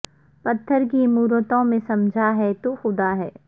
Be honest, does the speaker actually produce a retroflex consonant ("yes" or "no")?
no